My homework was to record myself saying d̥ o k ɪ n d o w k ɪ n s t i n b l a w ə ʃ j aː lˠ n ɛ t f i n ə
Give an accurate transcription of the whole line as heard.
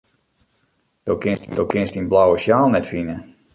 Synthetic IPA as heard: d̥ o k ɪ n d o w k ɪ n s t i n b l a w ə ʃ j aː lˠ n ɛ t f i n ə